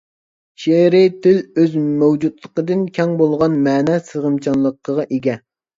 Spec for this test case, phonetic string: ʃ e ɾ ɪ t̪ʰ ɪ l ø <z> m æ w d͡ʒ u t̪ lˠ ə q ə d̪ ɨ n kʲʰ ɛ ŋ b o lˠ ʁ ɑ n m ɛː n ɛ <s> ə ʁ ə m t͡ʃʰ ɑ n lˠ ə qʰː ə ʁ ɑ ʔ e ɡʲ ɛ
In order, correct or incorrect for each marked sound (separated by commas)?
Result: correct, correct